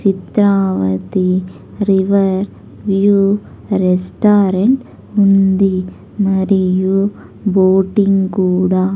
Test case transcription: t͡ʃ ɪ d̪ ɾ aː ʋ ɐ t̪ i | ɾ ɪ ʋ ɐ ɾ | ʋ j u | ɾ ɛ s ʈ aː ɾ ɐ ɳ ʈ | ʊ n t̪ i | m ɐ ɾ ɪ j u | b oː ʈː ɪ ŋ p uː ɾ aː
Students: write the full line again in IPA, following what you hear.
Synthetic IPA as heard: t͡ʃ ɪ t̪ ɾ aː ʋ ɐ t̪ i | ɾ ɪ ʋ ɐ ɾ | ʋ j u | ɾ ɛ s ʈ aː ɾ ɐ ɳ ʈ | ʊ n d̪ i | m ɐ ɾ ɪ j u | b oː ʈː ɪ ŋ k uː ɽ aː